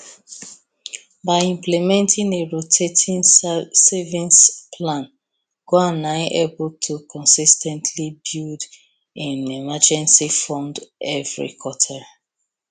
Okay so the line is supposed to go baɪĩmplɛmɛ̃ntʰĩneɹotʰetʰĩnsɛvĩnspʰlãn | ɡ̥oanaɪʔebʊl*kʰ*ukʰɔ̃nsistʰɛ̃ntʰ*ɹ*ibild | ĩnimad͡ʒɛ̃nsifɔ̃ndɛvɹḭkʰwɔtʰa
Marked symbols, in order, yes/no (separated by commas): no, no